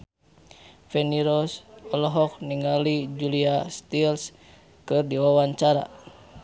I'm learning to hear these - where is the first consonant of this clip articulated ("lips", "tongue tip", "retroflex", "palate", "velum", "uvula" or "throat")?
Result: lips